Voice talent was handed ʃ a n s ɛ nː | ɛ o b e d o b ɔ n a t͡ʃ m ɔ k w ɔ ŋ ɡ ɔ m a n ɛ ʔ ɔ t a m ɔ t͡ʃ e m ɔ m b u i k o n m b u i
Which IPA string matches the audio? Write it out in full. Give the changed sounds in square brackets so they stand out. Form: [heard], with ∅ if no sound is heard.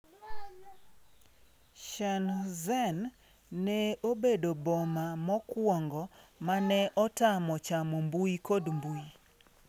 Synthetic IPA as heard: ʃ a n [z] ɛ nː | ɛ o b e d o b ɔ [m] a [∅] m ɔ k w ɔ ŋ ɡ ɔ m a n ɛ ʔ ɔ t a m ɔ t͡ʃ [a] m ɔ m b u i k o [d] m b u i